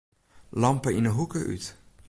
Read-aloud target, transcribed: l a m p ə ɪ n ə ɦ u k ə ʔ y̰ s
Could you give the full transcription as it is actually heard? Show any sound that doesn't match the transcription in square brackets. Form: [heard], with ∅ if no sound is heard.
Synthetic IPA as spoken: l [ɑ] m p ə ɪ n ə ɦ u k ə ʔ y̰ [t]